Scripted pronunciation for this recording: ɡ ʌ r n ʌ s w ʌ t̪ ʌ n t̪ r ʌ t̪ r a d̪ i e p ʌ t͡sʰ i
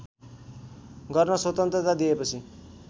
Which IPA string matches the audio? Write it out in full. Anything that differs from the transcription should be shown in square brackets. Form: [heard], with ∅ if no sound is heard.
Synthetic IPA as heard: ɡ ʌ r n ʌ s w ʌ t̪ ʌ n t̪ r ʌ t̪ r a d̪ i e p ʌ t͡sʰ i

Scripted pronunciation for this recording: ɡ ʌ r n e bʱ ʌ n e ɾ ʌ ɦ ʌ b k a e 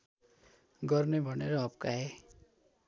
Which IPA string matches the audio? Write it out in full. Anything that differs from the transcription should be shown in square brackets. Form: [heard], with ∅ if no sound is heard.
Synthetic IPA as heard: ɡ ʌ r n e bʱ ʌ n e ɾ ʌ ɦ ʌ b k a e

